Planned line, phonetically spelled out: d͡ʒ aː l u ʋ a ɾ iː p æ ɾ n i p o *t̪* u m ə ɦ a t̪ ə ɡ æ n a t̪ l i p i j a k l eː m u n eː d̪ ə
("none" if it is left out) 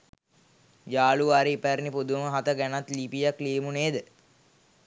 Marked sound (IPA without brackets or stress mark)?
d̪